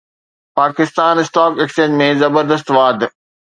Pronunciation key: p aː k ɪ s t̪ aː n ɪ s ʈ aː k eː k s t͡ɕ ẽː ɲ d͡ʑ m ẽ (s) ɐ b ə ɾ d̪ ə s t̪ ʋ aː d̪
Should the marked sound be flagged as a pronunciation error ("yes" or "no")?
yes